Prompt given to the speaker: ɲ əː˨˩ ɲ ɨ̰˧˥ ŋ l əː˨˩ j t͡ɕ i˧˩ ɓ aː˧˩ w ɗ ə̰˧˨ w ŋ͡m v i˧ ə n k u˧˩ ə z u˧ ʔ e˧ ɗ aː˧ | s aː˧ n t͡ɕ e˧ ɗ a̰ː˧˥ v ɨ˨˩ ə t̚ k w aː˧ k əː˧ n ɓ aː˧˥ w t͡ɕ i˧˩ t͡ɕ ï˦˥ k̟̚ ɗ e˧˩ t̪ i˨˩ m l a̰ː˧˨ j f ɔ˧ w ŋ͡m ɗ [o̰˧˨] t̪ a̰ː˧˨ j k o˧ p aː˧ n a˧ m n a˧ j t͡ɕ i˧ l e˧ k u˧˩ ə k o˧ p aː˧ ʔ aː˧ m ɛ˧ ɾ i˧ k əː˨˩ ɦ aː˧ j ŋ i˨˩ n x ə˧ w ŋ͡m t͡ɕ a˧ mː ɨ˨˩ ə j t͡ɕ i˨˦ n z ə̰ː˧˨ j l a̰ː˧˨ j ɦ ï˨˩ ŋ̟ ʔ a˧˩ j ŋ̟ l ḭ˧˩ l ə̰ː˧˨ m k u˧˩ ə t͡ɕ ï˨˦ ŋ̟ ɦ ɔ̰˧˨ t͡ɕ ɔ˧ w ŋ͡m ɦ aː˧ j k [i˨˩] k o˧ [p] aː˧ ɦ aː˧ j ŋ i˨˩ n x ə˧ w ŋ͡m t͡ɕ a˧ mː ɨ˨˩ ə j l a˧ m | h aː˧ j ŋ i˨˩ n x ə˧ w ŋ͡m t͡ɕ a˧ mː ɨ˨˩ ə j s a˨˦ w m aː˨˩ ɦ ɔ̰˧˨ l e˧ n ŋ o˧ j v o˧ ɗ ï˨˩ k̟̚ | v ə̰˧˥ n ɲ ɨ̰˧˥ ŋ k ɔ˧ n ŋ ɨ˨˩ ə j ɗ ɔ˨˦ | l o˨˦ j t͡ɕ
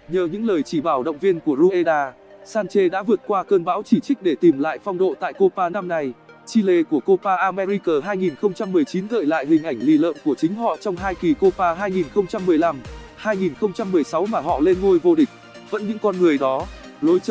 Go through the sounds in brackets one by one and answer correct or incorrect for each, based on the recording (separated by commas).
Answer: correct, correct, correct